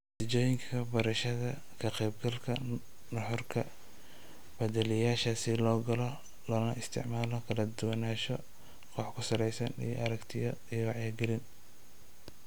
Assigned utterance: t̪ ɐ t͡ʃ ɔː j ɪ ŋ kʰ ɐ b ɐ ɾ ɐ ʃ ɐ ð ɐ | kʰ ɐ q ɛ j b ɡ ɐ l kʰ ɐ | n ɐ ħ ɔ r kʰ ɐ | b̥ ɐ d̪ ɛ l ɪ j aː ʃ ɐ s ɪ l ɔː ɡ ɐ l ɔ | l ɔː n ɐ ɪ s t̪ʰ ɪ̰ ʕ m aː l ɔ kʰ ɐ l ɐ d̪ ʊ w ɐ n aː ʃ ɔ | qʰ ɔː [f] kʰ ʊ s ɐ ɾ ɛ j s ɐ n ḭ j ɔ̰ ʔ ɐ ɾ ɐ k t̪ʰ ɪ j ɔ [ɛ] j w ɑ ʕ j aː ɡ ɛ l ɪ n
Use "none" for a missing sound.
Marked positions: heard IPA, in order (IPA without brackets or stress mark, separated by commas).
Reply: ħ, i